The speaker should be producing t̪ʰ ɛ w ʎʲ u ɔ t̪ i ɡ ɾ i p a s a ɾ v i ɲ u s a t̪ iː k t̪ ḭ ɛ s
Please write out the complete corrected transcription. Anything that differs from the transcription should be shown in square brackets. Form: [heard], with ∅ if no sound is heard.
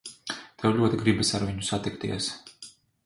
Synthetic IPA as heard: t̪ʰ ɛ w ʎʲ u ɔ t̪ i ɡ ɾ i [b] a s a ɾ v i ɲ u s a t̪ [i] k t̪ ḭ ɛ s